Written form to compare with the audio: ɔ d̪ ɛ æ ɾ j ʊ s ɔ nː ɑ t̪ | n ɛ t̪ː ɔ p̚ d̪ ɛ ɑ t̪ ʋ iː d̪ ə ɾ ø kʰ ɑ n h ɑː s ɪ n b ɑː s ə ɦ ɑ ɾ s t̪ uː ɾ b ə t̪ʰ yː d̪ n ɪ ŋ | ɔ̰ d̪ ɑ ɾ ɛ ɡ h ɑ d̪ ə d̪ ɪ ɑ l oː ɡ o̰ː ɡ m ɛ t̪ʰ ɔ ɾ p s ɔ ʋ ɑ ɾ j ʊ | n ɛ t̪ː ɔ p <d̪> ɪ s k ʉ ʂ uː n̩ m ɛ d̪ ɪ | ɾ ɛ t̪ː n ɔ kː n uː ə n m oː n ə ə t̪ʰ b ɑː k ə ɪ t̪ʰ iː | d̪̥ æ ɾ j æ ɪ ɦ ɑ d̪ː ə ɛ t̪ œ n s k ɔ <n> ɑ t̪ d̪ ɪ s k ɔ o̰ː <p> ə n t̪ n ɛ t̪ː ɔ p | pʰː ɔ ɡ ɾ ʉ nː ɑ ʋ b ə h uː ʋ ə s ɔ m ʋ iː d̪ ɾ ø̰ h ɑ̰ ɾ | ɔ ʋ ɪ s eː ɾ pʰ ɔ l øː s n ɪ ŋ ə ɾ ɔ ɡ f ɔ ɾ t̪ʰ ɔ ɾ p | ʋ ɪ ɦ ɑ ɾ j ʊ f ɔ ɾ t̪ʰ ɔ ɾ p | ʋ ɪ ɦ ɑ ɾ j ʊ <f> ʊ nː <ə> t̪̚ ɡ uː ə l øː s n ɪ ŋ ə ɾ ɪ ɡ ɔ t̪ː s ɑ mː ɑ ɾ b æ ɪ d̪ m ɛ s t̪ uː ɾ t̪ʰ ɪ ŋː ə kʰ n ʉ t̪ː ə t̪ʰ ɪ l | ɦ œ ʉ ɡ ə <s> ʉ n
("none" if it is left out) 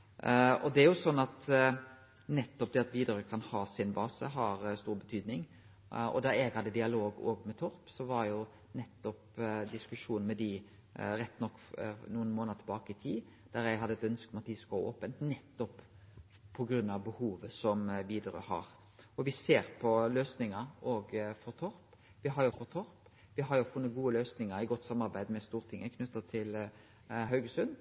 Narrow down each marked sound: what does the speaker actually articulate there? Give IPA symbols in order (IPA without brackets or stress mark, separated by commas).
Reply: d̪, m, p, f, ə, s